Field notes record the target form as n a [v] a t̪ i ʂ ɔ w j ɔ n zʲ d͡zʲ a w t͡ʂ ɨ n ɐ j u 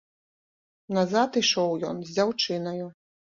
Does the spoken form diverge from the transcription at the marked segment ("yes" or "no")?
yes